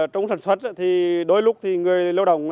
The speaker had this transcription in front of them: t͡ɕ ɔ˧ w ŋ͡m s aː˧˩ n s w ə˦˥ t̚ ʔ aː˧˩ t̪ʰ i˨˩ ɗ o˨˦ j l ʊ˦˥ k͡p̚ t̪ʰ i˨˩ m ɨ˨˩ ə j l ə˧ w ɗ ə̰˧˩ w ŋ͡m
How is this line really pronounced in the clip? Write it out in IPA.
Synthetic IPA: t͡ɕ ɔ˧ w ŋ͡m s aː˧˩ n s w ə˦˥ t̚ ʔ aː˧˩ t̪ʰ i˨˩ ɗ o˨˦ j l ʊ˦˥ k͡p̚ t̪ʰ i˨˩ ŋ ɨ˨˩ ə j l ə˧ w ɗ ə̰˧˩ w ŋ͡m